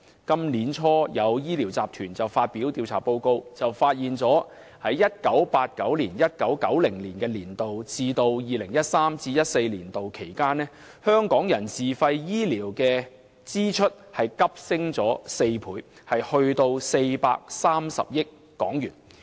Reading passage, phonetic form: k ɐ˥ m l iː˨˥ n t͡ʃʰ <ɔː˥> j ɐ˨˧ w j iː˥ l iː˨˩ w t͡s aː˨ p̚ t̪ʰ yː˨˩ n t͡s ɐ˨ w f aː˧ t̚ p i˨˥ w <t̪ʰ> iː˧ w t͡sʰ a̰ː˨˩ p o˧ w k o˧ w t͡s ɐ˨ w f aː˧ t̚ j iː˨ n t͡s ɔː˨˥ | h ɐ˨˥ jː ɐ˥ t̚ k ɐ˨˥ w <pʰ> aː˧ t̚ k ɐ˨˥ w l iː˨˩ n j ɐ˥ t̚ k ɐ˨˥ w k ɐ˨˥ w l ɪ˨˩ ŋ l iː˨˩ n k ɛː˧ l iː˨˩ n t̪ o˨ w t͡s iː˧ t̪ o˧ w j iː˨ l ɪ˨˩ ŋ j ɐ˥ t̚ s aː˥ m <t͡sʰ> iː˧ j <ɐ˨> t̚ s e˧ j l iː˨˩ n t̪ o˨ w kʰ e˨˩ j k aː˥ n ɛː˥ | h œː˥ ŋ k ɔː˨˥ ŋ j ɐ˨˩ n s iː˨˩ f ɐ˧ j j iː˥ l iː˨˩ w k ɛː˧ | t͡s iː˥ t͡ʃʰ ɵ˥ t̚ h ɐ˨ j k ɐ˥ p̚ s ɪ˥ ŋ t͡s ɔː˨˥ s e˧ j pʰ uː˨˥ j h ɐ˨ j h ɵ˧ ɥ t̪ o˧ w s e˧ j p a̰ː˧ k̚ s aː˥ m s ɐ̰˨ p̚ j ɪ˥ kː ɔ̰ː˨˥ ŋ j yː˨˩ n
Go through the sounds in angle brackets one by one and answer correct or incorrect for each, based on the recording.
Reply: correct, incorrect, incorrect, incorrect, incorrect

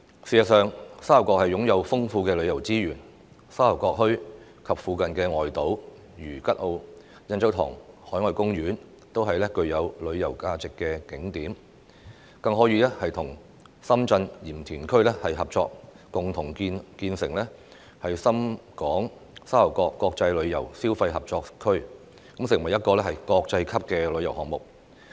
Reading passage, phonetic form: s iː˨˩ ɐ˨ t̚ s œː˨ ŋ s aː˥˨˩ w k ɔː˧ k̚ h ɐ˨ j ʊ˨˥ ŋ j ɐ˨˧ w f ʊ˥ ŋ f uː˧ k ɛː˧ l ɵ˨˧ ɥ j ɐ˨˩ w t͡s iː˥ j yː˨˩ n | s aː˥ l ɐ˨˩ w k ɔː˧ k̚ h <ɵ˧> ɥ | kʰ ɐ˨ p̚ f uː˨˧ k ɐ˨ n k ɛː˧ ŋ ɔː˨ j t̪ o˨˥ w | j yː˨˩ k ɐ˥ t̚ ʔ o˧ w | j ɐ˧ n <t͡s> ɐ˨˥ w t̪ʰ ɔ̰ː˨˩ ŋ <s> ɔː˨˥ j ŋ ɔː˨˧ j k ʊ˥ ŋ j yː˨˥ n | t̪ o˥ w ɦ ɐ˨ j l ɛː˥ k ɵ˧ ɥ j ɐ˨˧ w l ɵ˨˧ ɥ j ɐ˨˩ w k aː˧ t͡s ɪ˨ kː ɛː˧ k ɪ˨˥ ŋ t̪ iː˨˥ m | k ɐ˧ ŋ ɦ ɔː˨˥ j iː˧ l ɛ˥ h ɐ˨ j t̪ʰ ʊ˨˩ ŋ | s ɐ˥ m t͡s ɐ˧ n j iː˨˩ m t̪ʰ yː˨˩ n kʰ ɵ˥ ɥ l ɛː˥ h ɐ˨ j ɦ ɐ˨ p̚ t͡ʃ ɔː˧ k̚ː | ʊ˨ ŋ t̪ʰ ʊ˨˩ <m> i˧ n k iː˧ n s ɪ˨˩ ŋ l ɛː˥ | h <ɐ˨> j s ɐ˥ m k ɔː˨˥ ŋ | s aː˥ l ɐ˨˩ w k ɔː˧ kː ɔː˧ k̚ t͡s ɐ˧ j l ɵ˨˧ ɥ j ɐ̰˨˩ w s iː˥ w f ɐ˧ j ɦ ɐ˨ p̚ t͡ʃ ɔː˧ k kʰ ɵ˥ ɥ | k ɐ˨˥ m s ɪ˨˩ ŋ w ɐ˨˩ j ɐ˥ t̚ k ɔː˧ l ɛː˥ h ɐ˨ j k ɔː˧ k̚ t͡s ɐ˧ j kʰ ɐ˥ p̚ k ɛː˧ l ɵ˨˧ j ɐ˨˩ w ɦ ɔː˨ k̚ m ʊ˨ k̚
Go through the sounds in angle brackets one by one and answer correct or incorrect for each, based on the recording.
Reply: incorrect, correct, incorrect, incorrect, correct

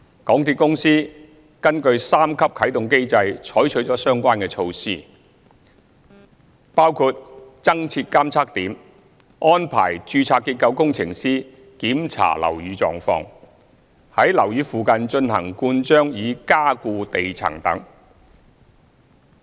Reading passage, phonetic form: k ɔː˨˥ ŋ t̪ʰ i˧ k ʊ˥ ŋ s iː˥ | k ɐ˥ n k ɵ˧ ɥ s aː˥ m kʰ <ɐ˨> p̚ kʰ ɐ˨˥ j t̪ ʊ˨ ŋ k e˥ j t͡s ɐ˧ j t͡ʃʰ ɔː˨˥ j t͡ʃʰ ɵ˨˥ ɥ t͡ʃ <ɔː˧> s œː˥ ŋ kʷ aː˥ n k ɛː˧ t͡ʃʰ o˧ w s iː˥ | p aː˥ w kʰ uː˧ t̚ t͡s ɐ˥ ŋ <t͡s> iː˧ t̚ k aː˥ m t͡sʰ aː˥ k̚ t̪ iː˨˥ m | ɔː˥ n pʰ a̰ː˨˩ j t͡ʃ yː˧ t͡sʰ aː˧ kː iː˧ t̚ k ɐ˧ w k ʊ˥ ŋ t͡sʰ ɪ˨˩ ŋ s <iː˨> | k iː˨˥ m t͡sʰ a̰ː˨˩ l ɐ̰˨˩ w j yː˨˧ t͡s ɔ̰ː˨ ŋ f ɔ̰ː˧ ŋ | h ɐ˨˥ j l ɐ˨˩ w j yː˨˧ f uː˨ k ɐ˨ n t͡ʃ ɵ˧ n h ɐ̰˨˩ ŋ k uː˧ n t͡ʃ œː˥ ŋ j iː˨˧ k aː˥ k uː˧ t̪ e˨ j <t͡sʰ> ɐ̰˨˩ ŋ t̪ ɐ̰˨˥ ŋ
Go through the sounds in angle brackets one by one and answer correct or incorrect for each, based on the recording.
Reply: incorrect, incorrect, incorrect, incorrect, correct

